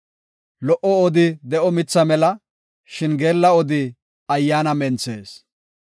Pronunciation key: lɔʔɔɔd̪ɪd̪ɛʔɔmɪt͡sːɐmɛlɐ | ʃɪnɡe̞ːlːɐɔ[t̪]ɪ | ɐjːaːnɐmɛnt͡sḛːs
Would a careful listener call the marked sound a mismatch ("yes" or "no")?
yes